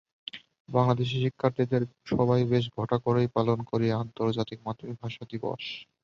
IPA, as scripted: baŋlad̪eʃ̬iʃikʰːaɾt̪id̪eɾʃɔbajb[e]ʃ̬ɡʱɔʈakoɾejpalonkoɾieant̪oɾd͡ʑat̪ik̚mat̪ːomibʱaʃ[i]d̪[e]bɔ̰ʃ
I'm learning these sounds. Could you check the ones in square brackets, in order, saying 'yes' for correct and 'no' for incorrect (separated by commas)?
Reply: yes, no, no